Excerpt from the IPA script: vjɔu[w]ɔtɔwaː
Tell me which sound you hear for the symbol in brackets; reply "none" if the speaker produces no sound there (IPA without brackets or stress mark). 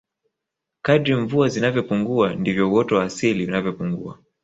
w